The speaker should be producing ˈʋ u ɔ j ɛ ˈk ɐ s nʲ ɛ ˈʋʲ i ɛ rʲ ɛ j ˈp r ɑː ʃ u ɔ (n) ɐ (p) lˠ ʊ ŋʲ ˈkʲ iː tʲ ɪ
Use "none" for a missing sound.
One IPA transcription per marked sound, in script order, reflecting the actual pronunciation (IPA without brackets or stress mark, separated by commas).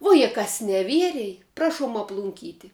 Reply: m, p